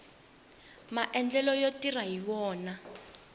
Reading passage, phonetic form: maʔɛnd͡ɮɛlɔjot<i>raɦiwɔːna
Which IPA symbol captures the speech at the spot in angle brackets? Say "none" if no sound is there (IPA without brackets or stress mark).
i